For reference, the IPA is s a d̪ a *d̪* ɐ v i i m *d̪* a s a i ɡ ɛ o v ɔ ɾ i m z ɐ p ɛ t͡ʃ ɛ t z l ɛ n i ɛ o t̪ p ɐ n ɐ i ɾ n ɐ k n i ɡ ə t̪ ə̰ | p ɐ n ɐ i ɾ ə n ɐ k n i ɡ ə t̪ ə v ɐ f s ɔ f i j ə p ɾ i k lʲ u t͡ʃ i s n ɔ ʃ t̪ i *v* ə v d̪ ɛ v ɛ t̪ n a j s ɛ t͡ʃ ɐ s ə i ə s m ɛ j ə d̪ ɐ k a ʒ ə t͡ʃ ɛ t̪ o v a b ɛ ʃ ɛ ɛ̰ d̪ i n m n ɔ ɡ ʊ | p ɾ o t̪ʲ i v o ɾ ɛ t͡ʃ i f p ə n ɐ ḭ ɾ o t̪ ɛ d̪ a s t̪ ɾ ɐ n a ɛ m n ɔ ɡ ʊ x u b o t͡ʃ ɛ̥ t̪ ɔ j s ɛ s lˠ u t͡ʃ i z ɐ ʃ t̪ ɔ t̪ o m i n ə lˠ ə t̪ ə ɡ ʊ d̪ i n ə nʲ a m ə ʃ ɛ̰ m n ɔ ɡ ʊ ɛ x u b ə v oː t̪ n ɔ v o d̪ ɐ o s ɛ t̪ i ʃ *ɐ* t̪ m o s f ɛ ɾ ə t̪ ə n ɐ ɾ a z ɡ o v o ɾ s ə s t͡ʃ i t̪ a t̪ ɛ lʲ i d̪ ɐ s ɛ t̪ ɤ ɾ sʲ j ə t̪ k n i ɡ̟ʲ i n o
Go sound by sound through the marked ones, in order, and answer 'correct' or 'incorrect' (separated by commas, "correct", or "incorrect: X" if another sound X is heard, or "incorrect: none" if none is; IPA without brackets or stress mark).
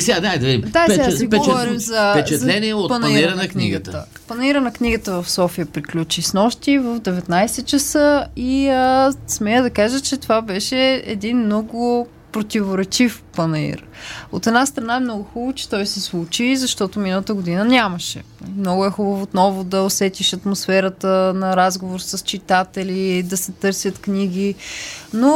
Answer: correct, correct, correct, correct